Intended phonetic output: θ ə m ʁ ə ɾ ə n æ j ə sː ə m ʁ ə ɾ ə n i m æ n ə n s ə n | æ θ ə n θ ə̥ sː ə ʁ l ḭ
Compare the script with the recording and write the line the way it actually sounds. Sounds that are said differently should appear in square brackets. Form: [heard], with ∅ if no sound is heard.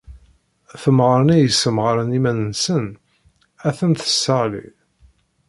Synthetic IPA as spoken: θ ə m ʁ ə ɾ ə n æ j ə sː ə m ʁ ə ɾ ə n i m æ n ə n s ə n | æ θ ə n θ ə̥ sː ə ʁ l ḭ